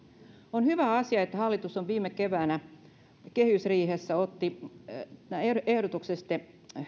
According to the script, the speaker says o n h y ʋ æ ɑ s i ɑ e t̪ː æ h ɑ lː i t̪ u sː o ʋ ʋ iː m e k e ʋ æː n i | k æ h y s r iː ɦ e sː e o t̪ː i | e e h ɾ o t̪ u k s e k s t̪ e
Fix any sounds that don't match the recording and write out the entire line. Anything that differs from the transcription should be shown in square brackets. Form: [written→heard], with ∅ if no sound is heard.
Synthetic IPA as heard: o n h y ʋ æ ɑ s i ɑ e t̪ː æ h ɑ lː i t̪ u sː o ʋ ʋ iː m e k e ʋ æː n [i→æ] | k [æ→e] h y s r iː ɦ e sː [e→æ] o t̪ː i | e e h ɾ o t̪ u k s e [k→∅] s t̪ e

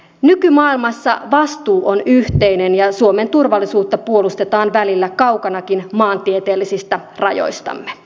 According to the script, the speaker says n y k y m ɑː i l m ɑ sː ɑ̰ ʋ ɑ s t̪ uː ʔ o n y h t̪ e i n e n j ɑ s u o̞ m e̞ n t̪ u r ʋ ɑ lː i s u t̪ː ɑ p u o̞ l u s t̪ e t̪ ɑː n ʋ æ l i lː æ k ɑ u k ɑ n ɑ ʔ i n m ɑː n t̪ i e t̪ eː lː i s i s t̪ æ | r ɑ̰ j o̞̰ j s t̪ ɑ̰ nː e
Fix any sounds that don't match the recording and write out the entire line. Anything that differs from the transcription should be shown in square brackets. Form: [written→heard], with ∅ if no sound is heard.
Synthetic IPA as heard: n y k y m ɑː i l m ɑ sː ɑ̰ ʋ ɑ s t̪ uː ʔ o n y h t̪ e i n e n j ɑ s u o̞ m e̞ n t̪ u r ʋ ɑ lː i s [u→uː] t̪ː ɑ p u o̞ l u s t̪ e t̪ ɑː n ʋ æ l i lː æ k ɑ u k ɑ n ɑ [ʔ→k] i n m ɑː n t̪ i e t̪ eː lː i s i s t̪ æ | r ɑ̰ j o̞̰ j s t̪ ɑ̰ [nː→mː] e

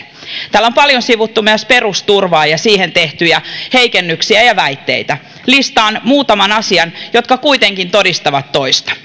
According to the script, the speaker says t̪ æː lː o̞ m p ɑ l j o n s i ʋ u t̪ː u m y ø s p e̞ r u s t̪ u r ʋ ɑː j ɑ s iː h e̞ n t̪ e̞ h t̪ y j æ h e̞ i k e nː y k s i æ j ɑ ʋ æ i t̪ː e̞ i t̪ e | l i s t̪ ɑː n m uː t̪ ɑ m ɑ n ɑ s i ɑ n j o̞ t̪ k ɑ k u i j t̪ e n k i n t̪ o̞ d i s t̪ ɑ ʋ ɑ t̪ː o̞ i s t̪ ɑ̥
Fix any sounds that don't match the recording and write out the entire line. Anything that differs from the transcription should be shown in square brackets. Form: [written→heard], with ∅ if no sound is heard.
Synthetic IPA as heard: t̪ æː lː o̞ m p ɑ l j o n s i ʋ u t̪ː u m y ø s p e̞ r u s t̪ u r ʋ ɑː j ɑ s iː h e̞ n t̪ e̞ h t̪ y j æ h e̞ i k e nː y k s i æ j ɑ ʋ æ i t̪ː e̞ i t̪ [e→æ] | l i s t̪ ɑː n m uː t̪ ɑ m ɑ n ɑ s i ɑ n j o̞ t̪ k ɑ k u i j t̪ e [n→ŋ] k i n t̪ o̞ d i s t̪ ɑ ʋ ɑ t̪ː o̞ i s t̪ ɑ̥

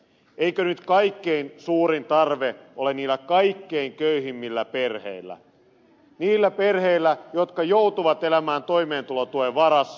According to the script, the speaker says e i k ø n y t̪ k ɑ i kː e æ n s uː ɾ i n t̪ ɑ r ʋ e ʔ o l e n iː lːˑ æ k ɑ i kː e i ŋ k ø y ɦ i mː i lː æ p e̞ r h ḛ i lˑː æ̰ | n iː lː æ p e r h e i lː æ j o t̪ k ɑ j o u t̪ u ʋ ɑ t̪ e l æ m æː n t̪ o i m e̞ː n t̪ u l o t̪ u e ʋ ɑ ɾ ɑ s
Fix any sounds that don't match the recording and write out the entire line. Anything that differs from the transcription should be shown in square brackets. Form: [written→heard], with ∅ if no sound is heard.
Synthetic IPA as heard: e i k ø n y t̪ k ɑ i kː e [æ→i] n s uː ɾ i n t̪ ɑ r ʋ e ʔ o l e n iː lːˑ æ k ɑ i kː e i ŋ k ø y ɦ i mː i lː æ p e̞ r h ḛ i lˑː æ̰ | n iː lː æ p e r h e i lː æ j o t̪ k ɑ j o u t̪ u ʋ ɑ t̪ e l æ m æː n t̪ o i m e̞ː n t̪ u l o t̪ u e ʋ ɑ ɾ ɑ s

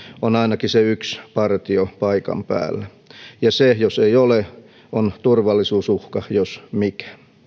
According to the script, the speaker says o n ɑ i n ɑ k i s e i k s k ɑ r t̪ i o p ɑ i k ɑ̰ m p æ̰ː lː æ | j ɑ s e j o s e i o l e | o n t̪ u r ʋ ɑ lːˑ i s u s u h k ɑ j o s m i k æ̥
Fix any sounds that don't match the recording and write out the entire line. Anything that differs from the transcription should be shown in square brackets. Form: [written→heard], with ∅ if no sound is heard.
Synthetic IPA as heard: o n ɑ i n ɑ k i s e [i→y] k s [k→p] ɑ r t̪ i o p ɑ i k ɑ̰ m p æ̰ː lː æ | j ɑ s e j o s e i o l e | o n t̪ u r ʋ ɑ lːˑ i s [u→uː] s u h k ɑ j o s m i k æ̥

